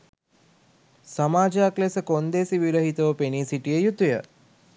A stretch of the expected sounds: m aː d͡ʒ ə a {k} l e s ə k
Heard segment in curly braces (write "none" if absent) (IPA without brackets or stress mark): k